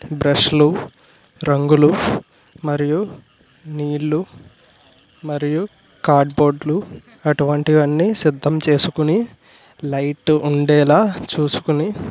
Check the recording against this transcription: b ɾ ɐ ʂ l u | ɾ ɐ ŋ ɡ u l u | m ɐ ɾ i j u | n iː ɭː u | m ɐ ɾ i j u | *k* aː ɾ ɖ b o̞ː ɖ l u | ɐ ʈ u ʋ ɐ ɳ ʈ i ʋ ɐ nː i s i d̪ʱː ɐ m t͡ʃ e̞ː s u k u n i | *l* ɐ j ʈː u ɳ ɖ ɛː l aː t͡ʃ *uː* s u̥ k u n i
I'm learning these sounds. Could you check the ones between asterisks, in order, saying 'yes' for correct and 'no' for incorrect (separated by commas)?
yes, yes, yes